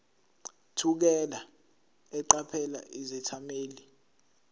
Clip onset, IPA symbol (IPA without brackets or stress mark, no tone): tʰ